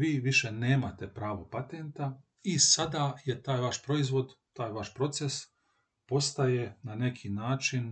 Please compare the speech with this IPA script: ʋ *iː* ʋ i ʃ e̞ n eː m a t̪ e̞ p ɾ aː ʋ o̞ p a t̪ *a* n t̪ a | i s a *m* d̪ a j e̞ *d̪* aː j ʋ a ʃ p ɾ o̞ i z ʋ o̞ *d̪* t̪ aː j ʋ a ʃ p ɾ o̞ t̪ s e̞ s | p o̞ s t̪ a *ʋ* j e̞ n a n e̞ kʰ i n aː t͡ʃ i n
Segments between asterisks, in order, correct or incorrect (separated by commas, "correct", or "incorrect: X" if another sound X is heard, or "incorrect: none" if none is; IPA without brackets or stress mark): correct, incorrect: e, incorrect: none, incorrect: t̪, correct, incorrect: none